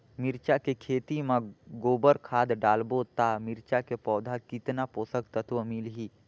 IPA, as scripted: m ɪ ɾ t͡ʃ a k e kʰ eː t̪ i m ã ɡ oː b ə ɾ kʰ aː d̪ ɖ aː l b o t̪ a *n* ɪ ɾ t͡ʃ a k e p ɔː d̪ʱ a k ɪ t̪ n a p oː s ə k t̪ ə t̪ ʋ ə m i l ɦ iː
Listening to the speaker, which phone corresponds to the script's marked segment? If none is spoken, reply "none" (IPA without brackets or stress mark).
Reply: m